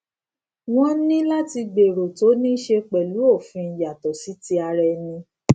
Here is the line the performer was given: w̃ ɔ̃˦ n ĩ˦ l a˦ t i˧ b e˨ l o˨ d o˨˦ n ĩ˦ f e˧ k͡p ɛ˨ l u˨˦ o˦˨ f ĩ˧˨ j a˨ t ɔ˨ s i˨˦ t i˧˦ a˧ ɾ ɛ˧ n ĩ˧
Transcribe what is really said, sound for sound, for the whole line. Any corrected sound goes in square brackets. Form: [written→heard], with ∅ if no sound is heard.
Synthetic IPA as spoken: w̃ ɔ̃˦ n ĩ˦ l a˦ t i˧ [b→ɡ͡b] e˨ [l→ɾ] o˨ [d→t] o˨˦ n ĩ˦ [f→ʃ] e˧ k͡p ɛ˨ l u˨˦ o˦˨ f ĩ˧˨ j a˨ t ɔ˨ s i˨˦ t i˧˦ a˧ ɾ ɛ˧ n ĩ˧